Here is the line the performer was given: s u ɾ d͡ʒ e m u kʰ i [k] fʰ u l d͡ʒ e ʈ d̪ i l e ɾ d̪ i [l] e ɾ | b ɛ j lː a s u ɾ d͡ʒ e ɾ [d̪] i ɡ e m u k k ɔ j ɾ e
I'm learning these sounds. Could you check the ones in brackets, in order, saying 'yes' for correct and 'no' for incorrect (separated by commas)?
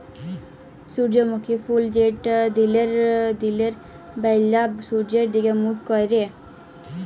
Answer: no, yes, yes